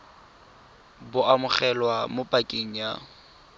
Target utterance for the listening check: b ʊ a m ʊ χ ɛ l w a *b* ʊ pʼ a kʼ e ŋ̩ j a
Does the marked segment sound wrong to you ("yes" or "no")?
yes